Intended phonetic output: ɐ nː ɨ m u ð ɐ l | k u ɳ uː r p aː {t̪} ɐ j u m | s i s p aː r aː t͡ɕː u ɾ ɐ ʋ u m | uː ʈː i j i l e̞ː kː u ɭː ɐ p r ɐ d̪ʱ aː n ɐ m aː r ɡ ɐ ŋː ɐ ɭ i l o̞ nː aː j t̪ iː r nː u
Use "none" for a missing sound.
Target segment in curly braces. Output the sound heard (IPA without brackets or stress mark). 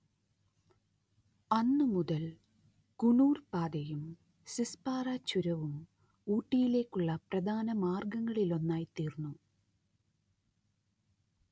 d̪